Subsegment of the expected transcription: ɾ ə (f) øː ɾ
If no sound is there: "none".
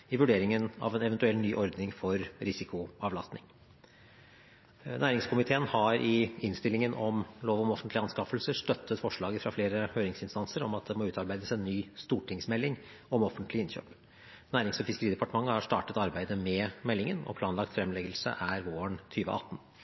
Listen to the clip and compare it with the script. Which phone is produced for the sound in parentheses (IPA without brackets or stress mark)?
h